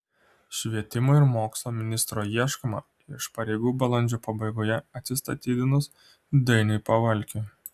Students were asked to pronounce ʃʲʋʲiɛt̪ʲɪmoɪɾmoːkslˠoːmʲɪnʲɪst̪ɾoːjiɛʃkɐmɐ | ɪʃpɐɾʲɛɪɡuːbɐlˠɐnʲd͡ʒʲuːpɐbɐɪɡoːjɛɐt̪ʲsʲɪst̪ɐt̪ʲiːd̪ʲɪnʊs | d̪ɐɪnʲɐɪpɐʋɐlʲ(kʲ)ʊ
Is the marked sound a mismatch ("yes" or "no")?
no